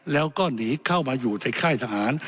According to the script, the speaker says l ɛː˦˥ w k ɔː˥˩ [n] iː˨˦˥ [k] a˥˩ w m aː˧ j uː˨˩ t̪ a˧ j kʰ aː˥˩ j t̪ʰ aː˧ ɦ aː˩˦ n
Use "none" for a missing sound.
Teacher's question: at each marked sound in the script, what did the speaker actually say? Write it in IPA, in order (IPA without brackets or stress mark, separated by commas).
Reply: n, kʰ